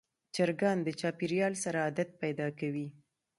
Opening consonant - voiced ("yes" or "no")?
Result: no